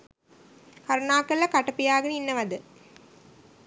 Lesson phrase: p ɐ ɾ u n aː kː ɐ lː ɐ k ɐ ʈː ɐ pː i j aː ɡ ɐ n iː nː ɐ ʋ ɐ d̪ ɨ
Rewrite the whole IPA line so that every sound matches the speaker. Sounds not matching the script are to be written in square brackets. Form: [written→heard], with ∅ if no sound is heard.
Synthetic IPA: [p→k] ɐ ɾ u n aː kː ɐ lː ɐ k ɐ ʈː ɐ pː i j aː ɡ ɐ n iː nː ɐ ʋ ɐ d̪ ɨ